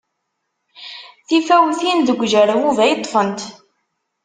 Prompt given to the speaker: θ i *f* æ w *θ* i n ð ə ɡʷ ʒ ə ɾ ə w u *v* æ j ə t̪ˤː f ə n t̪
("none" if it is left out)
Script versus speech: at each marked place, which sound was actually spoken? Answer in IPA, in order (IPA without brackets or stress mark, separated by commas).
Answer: f, θ, v